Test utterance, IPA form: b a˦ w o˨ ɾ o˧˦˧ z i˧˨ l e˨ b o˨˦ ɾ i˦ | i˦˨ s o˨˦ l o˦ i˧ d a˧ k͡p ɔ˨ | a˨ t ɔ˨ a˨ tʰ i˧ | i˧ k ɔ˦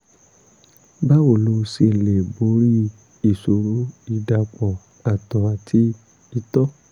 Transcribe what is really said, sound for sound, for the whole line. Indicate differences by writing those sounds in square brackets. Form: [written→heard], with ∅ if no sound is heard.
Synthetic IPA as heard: b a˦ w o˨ [ɾ→l] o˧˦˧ [z→s] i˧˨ l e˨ b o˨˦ ɾ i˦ | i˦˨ s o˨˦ [l→ɾ] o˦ i˧ d a˧ k͡p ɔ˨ | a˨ t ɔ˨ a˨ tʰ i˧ | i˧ [k→t] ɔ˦